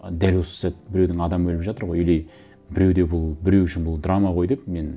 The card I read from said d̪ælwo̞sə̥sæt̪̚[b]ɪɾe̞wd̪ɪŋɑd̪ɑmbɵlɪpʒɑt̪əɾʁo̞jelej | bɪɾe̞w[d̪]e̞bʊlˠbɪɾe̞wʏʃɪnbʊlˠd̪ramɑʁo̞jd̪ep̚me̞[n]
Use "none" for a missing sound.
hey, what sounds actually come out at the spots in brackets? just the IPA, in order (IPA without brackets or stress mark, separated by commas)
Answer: b, d̪, n